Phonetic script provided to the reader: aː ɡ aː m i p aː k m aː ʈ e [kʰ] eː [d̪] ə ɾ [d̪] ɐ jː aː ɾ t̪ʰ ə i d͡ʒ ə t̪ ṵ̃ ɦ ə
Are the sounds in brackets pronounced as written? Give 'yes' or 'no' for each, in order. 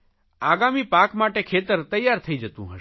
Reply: yes, no, no

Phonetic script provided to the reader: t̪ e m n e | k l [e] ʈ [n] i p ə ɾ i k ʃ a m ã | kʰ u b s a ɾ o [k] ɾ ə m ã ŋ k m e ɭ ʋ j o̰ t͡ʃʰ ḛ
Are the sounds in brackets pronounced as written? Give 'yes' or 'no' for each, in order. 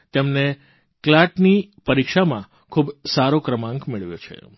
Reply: no, yes, yes

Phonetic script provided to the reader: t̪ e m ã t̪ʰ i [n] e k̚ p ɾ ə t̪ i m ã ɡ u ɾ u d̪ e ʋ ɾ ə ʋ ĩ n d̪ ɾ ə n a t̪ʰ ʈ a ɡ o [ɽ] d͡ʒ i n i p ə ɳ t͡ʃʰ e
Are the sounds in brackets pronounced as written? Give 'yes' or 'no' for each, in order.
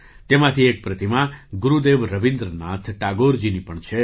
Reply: no, no

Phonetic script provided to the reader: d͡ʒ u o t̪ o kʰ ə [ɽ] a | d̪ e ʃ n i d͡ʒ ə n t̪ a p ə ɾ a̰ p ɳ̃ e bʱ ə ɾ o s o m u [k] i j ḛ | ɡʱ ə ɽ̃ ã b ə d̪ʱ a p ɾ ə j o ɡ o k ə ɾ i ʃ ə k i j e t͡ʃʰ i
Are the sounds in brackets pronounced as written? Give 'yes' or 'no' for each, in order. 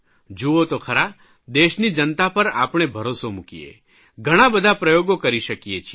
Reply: no, yes

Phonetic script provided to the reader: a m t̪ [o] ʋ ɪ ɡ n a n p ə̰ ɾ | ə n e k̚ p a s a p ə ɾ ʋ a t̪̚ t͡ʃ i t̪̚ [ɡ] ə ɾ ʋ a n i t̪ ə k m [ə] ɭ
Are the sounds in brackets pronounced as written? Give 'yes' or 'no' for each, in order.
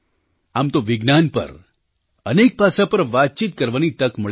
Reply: yes, no, yes

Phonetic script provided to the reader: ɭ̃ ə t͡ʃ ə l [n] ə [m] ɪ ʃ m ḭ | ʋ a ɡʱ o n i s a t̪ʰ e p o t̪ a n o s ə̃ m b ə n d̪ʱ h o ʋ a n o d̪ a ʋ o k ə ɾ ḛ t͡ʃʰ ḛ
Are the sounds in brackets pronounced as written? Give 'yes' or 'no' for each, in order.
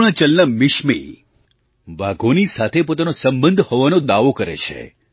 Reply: yes, yes

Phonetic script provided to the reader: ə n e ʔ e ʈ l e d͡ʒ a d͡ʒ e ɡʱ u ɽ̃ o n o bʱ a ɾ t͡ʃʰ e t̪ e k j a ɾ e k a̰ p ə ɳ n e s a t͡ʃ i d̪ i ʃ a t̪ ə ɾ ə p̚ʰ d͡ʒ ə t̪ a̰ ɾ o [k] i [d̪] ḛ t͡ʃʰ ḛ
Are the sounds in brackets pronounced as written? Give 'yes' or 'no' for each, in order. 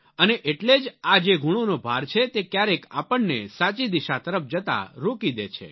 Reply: yes, yes

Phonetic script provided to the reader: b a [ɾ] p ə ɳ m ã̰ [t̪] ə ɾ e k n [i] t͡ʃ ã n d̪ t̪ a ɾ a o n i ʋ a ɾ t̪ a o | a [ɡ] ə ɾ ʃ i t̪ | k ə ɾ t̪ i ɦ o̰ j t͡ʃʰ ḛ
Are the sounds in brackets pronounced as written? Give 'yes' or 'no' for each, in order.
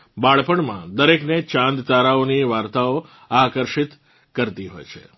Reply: no, no, no, no

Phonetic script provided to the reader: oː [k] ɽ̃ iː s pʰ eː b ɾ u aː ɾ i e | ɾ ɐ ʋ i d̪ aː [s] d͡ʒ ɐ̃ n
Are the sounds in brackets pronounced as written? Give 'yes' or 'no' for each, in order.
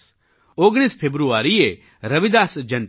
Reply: no, yes

